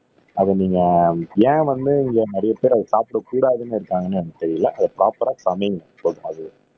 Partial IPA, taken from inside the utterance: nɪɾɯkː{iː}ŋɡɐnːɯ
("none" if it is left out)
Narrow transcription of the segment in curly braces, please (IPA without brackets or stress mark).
aː